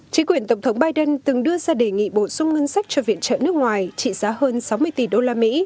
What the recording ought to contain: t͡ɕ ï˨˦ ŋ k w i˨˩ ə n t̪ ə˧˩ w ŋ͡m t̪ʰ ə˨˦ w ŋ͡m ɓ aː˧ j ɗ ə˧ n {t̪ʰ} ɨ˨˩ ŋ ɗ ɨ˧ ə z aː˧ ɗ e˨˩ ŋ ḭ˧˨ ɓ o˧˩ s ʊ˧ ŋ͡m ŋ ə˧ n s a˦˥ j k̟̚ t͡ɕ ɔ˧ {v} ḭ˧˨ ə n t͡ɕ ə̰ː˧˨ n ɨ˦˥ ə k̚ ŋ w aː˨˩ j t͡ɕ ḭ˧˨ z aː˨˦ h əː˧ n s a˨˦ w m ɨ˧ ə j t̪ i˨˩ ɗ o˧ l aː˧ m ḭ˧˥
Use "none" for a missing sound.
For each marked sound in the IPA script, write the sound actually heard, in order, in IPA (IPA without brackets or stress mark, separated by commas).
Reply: t̪, v